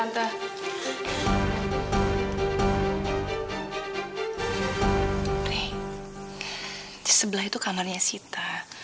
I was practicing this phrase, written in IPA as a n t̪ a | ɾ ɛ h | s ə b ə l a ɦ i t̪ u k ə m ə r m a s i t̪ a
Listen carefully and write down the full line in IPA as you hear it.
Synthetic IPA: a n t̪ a | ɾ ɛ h | s ə b ə l a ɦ i t̪ u k a m a r ɲ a s i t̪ a